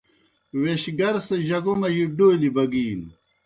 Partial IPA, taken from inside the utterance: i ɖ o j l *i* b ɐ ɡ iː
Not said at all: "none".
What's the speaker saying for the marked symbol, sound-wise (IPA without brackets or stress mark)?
i